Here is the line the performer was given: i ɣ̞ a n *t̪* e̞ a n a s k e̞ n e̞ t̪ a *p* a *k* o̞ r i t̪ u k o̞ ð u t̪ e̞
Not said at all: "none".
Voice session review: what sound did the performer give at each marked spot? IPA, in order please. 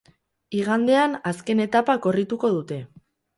d̪, p, k

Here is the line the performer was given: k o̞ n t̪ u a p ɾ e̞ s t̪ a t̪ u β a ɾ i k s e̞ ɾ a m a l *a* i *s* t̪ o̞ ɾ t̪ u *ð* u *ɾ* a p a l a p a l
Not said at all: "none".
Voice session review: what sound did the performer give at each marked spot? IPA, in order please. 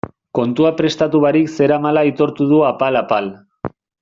a, none, ð, none

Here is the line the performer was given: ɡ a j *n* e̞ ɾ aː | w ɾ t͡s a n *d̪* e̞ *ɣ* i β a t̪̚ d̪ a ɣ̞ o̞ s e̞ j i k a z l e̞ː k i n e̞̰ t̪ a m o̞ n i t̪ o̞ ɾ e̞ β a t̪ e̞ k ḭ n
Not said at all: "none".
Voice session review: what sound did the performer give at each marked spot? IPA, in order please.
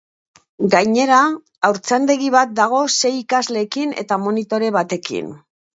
ɲ, d̪, ɣ

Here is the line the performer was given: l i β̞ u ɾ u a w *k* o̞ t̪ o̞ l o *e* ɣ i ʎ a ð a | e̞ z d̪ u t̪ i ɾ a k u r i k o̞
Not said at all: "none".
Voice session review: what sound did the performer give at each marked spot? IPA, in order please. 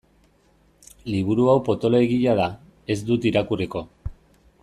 p, e

